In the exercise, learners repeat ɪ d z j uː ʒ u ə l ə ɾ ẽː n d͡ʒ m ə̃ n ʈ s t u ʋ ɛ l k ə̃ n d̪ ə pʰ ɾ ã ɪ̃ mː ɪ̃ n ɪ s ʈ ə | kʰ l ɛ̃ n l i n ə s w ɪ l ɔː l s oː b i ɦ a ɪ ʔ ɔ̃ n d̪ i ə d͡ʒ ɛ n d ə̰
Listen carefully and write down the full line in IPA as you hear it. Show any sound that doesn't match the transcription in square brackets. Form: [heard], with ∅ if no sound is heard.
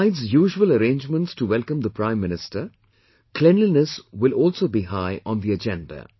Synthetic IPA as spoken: ɪ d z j uː ʒ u ə l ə ɾ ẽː n d͡ʒ m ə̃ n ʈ s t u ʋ ɛ l k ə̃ [m] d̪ ə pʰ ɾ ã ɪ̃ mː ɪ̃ n ɪ s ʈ ə | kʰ l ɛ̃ n l i n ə s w ɪ l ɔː l s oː b i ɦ a ɪ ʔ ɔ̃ n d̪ i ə d͡ʒ [ɛ̃] n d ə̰